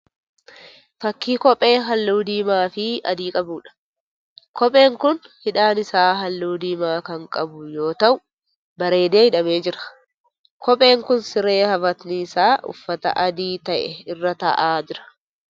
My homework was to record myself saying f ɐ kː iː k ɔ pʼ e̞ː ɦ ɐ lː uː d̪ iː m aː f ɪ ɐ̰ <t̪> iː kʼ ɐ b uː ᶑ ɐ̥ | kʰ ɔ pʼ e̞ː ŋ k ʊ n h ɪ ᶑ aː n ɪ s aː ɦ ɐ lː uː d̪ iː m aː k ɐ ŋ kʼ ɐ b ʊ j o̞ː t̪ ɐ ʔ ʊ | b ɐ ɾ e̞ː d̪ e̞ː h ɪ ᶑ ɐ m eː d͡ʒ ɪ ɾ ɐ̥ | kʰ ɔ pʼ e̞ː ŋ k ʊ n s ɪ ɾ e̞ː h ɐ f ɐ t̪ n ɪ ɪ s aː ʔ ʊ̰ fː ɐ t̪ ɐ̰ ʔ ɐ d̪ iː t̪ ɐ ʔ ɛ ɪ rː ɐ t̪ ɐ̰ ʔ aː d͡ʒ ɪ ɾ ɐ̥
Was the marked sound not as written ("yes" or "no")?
yes